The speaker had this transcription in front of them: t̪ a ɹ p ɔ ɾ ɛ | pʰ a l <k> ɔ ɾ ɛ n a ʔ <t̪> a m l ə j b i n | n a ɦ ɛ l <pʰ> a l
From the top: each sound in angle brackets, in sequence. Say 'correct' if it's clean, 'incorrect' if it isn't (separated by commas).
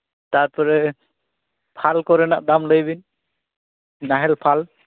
correct, incorrect, correct